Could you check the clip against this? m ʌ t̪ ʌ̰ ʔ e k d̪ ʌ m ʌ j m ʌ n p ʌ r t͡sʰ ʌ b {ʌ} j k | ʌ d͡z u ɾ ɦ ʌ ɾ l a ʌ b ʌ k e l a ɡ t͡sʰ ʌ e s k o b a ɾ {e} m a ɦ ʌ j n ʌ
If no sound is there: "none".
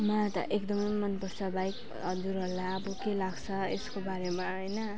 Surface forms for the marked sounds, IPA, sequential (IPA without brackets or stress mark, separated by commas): a, e